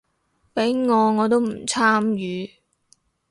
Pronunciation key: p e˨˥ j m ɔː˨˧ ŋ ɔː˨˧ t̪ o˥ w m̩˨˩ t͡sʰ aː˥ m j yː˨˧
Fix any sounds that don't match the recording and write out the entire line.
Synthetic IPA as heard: p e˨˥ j ŋ ɔː˨˧ ŋ ɔː˨˧ t̪ o˥ w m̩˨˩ t͡sʰ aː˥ m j yː˨˧